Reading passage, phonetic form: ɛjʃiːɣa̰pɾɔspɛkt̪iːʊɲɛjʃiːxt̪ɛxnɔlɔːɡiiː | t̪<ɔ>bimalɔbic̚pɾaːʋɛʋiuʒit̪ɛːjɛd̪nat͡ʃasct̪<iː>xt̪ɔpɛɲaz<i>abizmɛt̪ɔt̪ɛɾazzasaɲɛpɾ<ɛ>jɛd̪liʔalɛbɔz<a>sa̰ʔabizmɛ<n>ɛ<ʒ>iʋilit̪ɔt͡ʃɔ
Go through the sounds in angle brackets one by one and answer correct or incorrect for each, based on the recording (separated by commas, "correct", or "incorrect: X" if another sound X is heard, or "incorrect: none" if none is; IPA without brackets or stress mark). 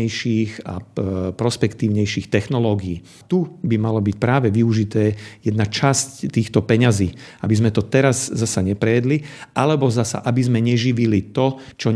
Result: incorrect: u, correct, incorrect: iː, correct, correct, incorrect: ɲ, correct